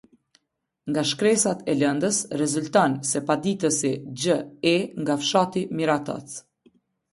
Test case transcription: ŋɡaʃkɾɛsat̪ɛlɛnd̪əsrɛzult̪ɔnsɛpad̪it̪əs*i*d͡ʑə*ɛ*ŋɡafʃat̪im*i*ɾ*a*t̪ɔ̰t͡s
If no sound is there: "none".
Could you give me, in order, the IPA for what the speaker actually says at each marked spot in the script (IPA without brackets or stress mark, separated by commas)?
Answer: i, ɛ, i, a